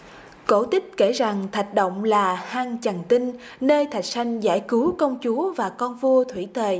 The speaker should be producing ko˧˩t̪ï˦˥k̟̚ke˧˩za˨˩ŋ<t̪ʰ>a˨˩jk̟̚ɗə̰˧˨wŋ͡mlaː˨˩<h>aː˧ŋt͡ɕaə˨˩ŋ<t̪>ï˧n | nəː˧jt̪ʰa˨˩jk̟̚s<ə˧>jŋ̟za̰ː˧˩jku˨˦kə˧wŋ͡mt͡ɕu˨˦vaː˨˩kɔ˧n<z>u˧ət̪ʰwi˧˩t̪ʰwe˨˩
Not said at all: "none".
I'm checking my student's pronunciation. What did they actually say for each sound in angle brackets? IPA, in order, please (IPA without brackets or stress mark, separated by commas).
t̪ʰ, h, t̪, a˧, v